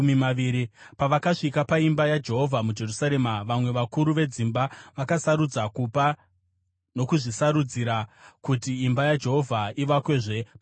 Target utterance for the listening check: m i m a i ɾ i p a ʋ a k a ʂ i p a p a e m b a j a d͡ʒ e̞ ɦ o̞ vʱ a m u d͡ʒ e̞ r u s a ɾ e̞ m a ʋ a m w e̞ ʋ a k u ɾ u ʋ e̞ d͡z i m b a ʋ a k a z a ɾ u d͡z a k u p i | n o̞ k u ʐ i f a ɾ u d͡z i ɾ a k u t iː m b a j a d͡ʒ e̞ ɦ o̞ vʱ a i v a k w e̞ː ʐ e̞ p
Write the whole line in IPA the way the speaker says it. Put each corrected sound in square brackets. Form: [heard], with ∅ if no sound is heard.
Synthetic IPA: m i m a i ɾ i p a ʋ a k a ʂ i [k] a p a [i] m b a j a d͡ʒ e̞ ɦ o̞ vʱ a m u d͡ʒ e̞ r u s a ɾ e̞ m a ʋ a m w e̞ ʋ a k u ɾ u ʋ e̞ d͡z i m b a ʋ a k a [s] a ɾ u d͡z a k u p [a] | n o̞ k u ʐ i [s] a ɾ u d͡z i ɾ a k u t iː m b a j a d͡ʒ e̞ ɦ o̞ vʱ a i [ʋ] a k w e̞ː ʐ e̞ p

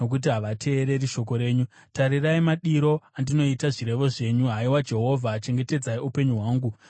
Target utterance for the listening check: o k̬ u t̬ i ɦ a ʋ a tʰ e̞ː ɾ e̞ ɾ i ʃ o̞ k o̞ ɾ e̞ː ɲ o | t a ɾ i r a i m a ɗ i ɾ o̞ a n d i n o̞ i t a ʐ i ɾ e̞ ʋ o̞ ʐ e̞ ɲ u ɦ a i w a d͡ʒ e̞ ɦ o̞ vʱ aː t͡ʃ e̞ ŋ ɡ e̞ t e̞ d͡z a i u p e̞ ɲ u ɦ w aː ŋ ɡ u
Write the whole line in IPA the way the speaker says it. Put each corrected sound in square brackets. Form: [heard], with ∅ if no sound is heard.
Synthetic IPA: o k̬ u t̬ i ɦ a ʋ a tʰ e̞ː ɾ e̞ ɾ i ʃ o̞ k o̞ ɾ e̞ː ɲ [u] | t a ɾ i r a i m a ɗ i ɾ o̞ a n d i n o̞ i t a ʐ i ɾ e̞ ʋ o̞ ʐ e̞ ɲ u ɦ a i w a d͡ʒ e̞ ɦ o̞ vʱ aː t͡ʃ e̞ ŋ ɡ e̞ t e̞ d͡z a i u p e̞ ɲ u ɦ w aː ŋ ɡ u

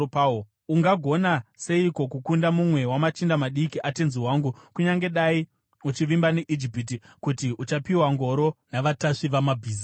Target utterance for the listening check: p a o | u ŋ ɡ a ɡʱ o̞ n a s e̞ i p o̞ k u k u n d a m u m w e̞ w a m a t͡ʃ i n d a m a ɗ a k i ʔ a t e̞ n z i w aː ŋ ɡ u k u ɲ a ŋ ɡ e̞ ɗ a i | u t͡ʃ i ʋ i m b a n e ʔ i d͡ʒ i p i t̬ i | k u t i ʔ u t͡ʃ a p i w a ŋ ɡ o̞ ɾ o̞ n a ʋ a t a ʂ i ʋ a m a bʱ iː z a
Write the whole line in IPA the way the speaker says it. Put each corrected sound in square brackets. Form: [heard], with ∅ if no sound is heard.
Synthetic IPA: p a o | u ŋ ɡ a ɡʱ o̞ n a s e̞ i [k] o̞ k u k u n d a m u m w e̞ w a m a t͡ʃ i n d a m a ɗ [i] k i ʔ a t e̞ n z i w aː ŋ ɡ u k u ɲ a ŋ ɡ e̞ ɗ a i | u t͡ʃ i ʋ i m b a n e ʔ i d͡ʒ i p i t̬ i | k u t i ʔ u t͡ʃ a p i w a ŋ ɡ o̞ ɾ o̞ n a ʋ a t a ʂ i ʋ a m a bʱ iː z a

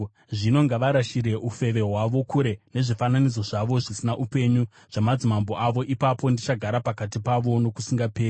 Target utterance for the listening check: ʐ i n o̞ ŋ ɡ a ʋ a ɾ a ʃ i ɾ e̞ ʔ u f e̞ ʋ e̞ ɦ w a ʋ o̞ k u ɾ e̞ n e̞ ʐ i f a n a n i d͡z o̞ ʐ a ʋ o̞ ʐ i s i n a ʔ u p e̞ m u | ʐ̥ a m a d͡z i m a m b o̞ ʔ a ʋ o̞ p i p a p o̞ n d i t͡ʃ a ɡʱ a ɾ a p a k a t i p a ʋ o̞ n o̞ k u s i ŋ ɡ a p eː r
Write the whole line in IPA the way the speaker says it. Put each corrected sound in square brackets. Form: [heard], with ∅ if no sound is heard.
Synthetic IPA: ʐ i n o̞ ŋ ɡ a ʋ a ɾ a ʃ i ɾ e̞ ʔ u f e̞ ʋ e̞ ɦ w a ʋ o̞ k u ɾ e̞ n e̞ ʐ i f a n a n i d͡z o̞ ʐ a ʋ o̞ ʐ i s i n a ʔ u p e̞ [ɲ] u | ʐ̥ a m a d͡z i m a m b o̞ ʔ a ʋ o̞ [ʔ] i p a p o̞ n d i t͡ʃ a ɡʱ a ɾ a p a k a t i p a ʋ o̞ n o̞ k u s i ŋ ɡ a p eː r

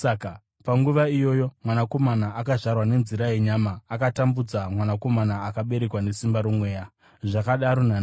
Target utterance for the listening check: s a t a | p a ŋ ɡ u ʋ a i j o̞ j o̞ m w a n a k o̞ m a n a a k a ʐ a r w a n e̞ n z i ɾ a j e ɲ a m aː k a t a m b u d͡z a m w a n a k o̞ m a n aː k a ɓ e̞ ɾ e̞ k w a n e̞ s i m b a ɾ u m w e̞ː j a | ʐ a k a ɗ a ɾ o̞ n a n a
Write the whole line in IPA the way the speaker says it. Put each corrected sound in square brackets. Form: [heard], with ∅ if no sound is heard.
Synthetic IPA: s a [k] a | p a ŋ ɡ u ʋ a i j o̞ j o̞ m w a n a k o̞ m a n a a k a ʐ a r w a n e̞ n z i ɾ a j e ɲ a m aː k a t a m b u d͡z a m w a n a k o̞ m a n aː k a ɓ e̞ ɾ e̞ k w a n e̞ s i m b a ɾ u m w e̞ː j a | ʐ a k a ɗ a ɾ o̞ n a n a

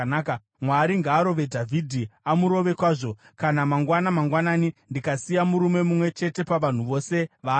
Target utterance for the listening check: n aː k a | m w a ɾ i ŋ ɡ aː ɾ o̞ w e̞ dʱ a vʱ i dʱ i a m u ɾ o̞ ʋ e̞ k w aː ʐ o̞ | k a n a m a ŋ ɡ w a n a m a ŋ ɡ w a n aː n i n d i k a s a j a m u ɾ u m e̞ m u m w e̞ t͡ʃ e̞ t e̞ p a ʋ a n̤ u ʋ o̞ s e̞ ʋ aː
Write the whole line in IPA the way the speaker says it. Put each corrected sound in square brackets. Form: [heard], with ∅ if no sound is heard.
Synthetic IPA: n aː k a | m w a ɾ i ŋ ɡ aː ɾ o̞ [ʋ] e̞ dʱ a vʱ i dʱ i a m u ɾ o̞ ʋ e̞ k w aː ʐ o̞ | k a n a m a ŋ ɡ w a n a m a ŋ ɡ w a n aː n i n d i k a s [i] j a m u ɾ u m e̞ m u m w e̞ t͡ʃ e̞ t e̞ p a ʋ a n̤ u ʋ o̞ s e̞ ʋ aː

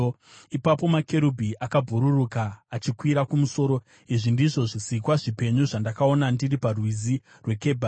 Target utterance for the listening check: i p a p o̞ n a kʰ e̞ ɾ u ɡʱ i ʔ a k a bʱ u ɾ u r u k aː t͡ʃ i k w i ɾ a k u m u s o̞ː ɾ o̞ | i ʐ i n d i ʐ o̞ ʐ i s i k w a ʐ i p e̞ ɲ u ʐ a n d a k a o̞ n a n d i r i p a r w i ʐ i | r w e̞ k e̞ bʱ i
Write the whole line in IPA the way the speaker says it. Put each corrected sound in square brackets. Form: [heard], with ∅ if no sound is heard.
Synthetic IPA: i p a p o̞ [m] a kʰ e̞ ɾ u [bʱ] i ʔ a k a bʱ u ɾ u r u k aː t͡ʃ i k w i ɾ a k u m u s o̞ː ɾ o̞ | i ʐ i n d i ʐ o̞ ʐ i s i k w a ʐ i p e̞ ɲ u ʐ a n d a k a o̞ n a n d i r i p a r w i [z] i | r w e̞ k e̞ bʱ [a]

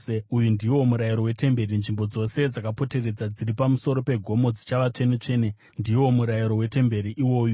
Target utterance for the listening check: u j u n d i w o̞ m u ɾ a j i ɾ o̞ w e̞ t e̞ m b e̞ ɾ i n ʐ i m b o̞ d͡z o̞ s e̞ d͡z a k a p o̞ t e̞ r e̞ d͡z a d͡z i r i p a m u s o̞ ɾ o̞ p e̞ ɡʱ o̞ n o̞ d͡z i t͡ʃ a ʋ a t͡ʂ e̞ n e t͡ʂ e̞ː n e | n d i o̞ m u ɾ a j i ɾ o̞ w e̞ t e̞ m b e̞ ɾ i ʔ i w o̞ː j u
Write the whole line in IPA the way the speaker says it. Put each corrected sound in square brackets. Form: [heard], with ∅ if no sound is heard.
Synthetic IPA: u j u n d i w o̞ m u ɾ a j i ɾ o̞ w e̞ t e̞ m b e̞ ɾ i n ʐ i m b o̞ d͡z o̞ s e̞ d͡z a k a p o̞ t e̞ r e̞ d͡z a d͡z i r i p a m u s o̞ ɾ o̞ p e̞ ɡʱ o̞ [m] o̞ d͡z i t͡ʃ a ʋ a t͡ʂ e̞ n e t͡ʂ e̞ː n e | n d i o̞ m u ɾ a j i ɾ o̞ w e̞ t e̞ m b e̞ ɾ i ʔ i w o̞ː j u

